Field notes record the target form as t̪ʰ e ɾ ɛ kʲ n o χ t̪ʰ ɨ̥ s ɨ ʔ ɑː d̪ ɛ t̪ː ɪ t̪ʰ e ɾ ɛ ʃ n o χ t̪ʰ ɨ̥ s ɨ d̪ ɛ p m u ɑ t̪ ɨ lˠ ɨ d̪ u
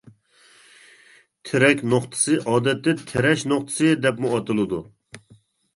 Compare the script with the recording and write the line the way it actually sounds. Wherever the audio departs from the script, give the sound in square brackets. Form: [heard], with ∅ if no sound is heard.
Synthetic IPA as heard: t̪ʰ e ɾ ɛ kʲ n o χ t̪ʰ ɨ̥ s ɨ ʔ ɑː d̪ ɛ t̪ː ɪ t̪ʰ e ɾ ɛ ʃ n o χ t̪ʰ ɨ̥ s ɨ d̪ ɛ p m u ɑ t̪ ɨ lˠ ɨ d̪ u